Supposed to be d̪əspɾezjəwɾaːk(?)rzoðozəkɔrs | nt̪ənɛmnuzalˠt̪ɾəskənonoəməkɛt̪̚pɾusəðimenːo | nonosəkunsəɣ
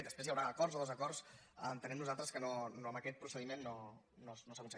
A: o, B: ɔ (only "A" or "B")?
B